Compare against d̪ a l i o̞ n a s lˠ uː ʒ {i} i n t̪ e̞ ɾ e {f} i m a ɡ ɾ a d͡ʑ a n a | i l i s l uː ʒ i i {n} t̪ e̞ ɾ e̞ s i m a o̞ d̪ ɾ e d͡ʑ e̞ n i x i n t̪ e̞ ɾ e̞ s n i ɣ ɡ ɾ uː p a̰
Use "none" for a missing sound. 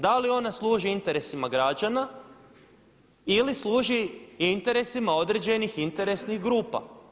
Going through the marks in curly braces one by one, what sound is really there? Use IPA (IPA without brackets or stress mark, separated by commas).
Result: i, s, n